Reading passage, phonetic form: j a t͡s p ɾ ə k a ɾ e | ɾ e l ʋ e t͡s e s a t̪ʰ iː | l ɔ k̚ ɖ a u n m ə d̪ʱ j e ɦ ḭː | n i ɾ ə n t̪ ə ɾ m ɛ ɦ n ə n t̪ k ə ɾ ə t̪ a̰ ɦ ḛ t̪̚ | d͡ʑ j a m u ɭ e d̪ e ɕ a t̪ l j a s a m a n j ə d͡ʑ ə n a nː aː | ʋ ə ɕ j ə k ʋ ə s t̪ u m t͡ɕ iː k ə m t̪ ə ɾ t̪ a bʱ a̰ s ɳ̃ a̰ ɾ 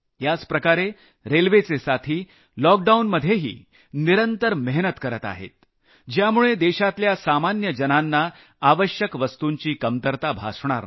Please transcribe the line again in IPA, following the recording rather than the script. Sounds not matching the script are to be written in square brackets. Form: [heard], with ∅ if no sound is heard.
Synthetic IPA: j a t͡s p ɾ ə k a ɾ e | ɾ e l ʋ e t͡s e s a t̪ʰ iː | l ɔ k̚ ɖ a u n m ə d̪ʱ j e ɦ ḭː | n i ɾ ə n t̪ ə ɾ m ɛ ɦ n ə [∅] t̪ k ə ɾ ə t̪ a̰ ɦ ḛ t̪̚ | d͡ʑ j a m u ɭ e d̪ e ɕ a t̪ l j a s a m a n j ə d͡ʑ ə n a nː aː | ʋ ə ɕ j ə k ʋ ə s t̪ u [ɲ] t͡ɕ iː k ə m t̪ ə ɾ t̪ a bʱ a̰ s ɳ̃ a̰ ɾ